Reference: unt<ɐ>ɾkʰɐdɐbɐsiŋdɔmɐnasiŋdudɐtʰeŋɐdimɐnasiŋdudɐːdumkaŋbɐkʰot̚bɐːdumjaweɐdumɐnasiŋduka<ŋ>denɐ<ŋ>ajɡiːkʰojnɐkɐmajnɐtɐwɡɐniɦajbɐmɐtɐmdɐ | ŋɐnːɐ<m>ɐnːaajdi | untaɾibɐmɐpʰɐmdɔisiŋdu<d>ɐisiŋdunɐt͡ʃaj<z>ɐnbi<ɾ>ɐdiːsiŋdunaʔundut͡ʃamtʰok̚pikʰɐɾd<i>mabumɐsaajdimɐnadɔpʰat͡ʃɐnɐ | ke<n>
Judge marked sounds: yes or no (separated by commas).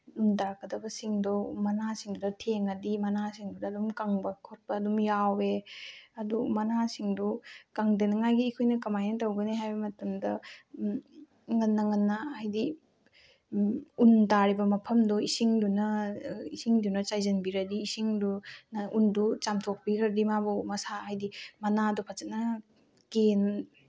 no, yes, yes, no, no, yes, yes, yes, yes